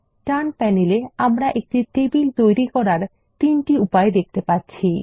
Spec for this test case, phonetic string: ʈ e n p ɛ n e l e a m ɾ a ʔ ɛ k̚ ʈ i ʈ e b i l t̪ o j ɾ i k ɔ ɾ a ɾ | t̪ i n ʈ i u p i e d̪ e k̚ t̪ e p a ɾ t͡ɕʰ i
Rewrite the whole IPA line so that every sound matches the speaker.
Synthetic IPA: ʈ a n p ɛ n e l e a m ɾ a ʔ e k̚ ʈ i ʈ e b i l t̪ o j ɾ i k ɔ ɾ a ɾ | t̪ i n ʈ i u p a e d̪ e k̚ t̪ e p a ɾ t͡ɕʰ i